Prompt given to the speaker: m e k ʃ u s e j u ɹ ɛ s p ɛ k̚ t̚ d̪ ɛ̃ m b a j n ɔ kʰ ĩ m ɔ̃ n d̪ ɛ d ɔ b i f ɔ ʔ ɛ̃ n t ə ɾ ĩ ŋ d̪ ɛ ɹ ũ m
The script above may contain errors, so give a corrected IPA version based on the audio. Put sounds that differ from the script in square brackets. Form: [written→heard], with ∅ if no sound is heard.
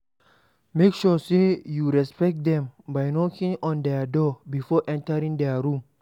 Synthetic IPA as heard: m e k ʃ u s e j u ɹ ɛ s p ɛ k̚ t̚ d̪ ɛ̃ m b a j n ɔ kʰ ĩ [m→ŋ] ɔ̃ n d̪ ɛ d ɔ b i f ɔ ʔ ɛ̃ n t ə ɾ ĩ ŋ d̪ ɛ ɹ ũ m